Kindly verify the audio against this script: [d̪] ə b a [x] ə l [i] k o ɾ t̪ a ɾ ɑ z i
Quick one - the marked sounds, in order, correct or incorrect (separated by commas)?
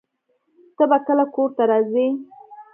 incorrect, incorrect, incorrect